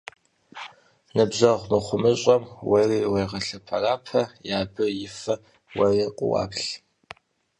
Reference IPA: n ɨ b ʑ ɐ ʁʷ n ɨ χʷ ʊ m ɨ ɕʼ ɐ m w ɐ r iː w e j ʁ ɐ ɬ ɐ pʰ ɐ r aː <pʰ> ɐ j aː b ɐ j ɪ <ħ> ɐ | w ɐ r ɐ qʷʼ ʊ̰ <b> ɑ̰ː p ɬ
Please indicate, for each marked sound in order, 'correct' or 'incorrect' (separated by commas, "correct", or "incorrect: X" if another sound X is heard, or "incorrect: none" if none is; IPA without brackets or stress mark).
correct, incorrect: f, incorrect: w